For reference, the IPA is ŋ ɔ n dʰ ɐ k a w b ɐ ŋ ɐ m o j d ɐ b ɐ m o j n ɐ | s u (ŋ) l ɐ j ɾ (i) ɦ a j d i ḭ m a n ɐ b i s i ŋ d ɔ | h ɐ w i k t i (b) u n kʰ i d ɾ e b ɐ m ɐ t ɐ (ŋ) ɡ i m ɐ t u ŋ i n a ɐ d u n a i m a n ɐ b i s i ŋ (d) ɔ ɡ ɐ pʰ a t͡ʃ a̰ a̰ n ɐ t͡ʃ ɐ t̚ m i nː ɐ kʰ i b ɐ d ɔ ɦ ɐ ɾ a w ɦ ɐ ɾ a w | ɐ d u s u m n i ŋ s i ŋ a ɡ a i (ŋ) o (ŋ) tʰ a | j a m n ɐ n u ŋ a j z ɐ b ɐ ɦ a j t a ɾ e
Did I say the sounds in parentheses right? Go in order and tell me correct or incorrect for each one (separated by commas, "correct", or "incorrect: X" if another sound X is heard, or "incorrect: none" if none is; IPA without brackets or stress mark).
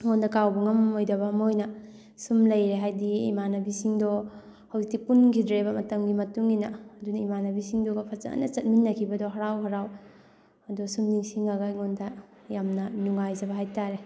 incorrect: m, incorrect: e, incorrect: p, incorrect: m, correct, correct, incorrect: n